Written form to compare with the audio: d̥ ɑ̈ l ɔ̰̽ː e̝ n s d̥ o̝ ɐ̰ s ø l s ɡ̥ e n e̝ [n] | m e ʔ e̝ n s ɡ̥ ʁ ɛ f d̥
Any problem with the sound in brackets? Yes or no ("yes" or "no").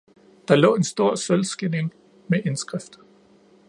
yes